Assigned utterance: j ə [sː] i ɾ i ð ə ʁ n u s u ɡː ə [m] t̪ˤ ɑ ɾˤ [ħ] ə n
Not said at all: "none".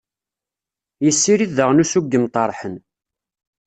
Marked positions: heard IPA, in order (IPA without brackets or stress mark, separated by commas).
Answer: sː, m, ħ